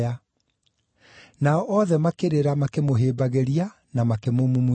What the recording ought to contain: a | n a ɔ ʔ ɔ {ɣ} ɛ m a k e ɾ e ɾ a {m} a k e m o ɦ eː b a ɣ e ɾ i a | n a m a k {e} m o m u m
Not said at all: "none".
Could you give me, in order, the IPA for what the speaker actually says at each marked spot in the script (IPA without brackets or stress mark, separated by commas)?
ð, m, e